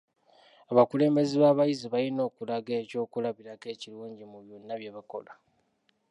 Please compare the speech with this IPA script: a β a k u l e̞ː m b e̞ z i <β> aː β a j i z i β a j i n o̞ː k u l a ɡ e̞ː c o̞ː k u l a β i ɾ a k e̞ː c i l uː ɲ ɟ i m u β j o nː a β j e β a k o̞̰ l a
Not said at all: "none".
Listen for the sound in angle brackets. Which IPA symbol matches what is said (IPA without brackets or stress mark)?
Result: β